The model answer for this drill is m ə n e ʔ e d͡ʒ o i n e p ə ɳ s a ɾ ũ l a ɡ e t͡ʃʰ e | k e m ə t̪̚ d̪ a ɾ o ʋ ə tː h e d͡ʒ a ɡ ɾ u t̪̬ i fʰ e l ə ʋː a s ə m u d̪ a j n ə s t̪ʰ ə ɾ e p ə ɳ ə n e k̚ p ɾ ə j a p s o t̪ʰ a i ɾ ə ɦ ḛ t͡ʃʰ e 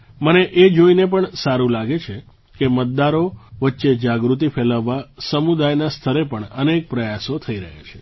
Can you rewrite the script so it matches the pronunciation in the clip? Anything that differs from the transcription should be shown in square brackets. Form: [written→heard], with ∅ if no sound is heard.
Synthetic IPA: m ə n e ʔ e d͡ʒ o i n e p ə ɳ s a ɾ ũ l a ɡ e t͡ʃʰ e | k e m ə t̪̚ d̪ a ɾ o ʋ ə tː [h→ʃ] e d͡ʒ a ɡ ɾ u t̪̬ i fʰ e l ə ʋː a s ə m u d̪ a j n [ə→a] s t̪ʰ ə ɾ e p ə ɳ ə n e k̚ p ɾ ə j a [p→∅] s o t̪ʰ [a→ə] i ɾ ə ɦ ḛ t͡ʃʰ e

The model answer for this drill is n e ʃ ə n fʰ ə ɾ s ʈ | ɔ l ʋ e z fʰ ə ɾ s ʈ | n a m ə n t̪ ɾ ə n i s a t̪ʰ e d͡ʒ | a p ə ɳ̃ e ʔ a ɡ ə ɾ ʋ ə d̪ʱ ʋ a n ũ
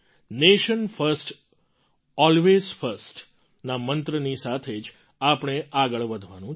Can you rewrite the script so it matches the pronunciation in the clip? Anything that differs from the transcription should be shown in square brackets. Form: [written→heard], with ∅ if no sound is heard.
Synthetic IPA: n e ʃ ə n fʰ ə ɾ s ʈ | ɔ l ʋ e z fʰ ə ɾ s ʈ | n a m ə n t̪ ɾ ə n i s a t̪ʰ e d͡ʒ | a p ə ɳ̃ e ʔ a ɡ ə [ɾ→ɭ] ʋ ə d̪ʱ ʋ a n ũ

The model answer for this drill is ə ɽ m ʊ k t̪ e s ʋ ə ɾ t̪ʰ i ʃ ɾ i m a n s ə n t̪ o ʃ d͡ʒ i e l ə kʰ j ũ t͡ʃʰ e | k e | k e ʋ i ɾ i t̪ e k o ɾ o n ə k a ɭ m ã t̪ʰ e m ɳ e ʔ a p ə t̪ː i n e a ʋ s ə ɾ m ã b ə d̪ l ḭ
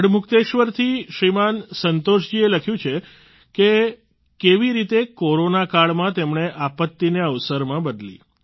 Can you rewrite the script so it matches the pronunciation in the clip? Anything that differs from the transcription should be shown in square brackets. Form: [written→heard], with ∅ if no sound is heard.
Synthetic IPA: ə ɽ m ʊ k t̪ e [s→ʃ] ʋ ə ɾ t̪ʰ i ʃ ɾ i m a n s ə n t̪ o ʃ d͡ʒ i e l ə kʰ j ũ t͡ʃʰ e | k e | k e ʋ i ɾ i t̪ e k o ɾ o n [ə→a] k a ɭ m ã [t̪ʰ→t̪] e m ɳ e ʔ a p ə t̪ː i n e [a→ə] ʋ s ə ɾ m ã b ə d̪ l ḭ

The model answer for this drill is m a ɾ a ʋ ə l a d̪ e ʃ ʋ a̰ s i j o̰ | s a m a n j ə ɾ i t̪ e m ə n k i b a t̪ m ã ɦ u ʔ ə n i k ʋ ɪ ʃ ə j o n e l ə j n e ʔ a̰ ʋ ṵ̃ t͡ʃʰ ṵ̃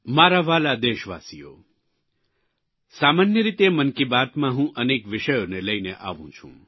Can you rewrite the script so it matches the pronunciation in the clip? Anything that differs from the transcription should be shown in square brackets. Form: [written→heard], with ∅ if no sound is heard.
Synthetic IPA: m a ɾ a ʋ [ə→a] l a d̪ e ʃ ʋ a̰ s i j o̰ | s a m a n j ə ɾ i t̪ e m ə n k i b a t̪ m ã ɦ [u→ũ] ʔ ə n [i→e] k ʋ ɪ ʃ ə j o n e l ə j n e ʔ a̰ ʋ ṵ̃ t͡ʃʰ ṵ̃

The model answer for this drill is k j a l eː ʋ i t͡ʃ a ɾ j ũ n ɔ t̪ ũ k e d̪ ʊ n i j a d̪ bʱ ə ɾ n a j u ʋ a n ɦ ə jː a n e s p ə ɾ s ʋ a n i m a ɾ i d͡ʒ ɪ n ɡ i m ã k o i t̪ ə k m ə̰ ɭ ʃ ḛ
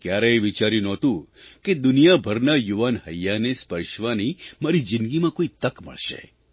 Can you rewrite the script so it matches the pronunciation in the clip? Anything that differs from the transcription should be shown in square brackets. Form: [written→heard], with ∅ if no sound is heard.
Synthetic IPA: k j a [l→ɾ] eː ʋ i t͡ʃ a ɾ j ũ n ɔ t̪ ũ k e d̪ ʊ n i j a [d̪→∅] bʱ ə ɾ n a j u ʋ a n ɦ ə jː a n e s p ə ɾ [s→ʃ] ʋ a n i m a ɾ i d͡ʒ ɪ n ɡ i m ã k o i t̪ ə k m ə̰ ɭ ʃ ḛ

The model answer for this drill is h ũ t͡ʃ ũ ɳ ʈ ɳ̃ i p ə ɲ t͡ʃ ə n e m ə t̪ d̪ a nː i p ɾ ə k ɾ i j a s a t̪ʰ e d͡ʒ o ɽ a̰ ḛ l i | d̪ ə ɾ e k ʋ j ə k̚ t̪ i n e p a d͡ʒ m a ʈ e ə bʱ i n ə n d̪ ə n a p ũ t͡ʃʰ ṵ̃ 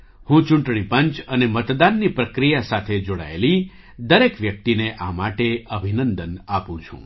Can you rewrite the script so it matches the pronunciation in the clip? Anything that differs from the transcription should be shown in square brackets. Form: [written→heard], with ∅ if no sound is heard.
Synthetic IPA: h ũ t͡ʃ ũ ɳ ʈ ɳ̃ i p ə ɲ t͡ʃ ə n e m ə t̪ d̪ a nː i p ɾ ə k ɾ i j a s a t̪ʰ e d͡ʒ o ɽ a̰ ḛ l i | d̪ ə ɾ e k ʋ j ə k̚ t̪ i n e [p→ʔ] a [d͡ʒ→∅] m a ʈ e ə bʱ i n ə n d̪ ə n a p ũ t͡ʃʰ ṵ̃

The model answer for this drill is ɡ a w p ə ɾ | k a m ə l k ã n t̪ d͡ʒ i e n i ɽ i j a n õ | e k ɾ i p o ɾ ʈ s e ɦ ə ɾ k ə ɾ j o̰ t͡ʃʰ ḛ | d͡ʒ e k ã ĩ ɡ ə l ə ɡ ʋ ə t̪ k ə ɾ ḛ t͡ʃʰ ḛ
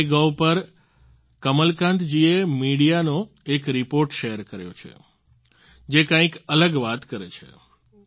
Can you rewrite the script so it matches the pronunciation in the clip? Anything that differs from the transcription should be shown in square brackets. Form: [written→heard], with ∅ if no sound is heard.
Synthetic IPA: ɡ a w p ə ɾ | k [a→ə] m ə l k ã n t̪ d͡ʒ i e [n→m] i ɽ i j a n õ | e k ɾ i p o ɾ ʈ [s→ʃ] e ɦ ə ɾ k ə ɾ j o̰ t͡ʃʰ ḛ | d͡ʒ e k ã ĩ [ɡ→k] ə l ə ɡ ʋ [ə→a] t̪ k ə ɾ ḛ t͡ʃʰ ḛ

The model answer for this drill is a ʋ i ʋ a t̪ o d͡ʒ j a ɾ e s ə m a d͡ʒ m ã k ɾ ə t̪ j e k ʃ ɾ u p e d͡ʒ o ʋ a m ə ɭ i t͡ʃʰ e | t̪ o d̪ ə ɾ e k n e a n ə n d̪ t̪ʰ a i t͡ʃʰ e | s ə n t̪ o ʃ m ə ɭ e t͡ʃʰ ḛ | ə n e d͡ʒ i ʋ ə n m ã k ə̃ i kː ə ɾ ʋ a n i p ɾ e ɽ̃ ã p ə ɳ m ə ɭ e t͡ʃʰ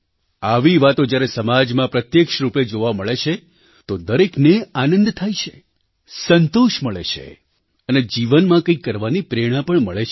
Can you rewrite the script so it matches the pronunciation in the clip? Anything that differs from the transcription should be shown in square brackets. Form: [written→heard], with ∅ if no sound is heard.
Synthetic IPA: a ʋ i ʋ a t̪ o d͡ʒ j a ɾ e s ə m a d͡ʒ m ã [k→p] ɾ ə t̪ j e k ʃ ɾ u p e d͡ʒ o ʋ a m ə ɭ [i→e] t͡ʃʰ e | t̪ o d̪ ə ɾ e k n e a n ə n d̪ t̪ʰ a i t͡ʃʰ e | s ə n t̪ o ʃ m ə ɭ e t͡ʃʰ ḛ | ə n e d͡ʒ i ʋ ə n m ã k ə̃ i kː ə ɾ ʋ a n i p ɾ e ɽ̃ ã p ə ɳ m ə ɭ e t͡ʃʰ

